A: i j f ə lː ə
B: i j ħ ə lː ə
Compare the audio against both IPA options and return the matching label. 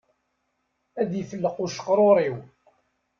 A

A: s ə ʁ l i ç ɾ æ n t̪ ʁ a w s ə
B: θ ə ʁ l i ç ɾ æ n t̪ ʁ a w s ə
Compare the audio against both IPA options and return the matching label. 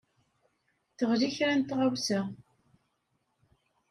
B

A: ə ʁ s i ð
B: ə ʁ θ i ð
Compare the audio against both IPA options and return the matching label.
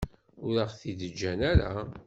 B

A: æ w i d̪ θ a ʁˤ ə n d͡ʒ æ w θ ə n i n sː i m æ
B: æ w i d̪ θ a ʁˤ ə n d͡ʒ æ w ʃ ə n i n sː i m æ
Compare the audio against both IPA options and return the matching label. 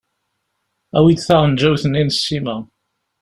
A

